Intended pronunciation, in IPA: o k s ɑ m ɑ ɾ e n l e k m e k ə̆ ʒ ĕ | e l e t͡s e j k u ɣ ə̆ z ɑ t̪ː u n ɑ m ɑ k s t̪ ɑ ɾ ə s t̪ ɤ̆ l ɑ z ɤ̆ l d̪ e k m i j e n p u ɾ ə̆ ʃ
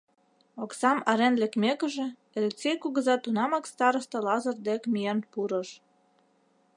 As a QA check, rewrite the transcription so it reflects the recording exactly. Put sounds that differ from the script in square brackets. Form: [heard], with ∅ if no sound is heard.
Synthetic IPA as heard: o k s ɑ m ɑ ɾ e n l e k m e k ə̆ ʒ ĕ | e l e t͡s e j k u ɣ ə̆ z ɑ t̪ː u n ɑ m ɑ k s t̪ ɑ ɾ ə s t̪ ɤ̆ l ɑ z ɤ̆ [r] d̪ e k m i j e n p u ɾ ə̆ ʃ